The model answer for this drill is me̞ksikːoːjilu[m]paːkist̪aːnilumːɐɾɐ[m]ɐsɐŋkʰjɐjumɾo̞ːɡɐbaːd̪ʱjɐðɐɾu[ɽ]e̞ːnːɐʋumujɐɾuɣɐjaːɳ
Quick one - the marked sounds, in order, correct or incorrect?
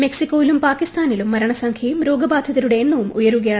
correct, incorrect, correct

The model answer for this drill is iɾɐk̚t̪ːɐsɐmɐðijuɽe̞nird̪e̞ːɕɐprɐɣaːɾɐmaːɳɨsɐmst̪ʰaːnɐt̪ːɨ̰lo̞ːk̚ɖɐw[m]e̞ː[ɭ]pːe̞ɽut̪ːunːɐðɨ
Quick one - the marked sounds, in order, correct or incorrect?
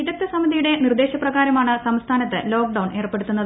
incorrect, incorrect

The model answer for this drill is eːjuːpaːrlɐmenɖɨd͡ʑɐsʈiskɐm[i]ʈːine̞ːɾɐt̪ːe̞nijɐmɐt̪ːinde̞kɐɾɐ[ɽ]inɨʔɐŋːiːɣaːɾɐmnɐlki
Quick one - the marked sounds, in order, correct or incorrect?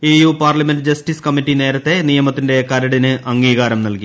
correct, correct

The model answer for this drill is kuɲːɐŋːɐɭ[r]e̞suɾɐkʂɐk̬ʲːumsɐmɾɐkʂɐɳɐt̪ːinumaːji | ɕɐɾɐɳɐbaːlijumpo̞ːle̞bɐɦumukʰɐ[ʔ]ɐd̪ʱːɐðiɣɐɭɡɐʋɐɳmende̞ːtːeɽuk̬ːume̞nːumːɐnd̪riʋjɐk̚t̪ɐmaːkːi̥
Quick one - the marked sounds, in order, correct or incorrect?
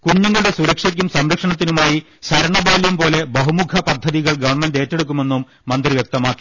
incorrect, incorrect

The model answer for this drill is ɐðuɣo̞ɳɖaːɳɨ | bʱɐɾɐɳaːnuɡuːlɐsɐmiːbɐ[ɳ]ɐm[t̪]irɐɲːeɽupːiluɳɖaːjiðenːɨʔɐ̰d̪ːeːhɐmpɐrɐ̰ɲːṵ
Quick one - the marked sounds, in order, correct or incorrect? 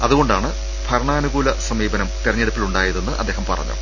incorrect, correct

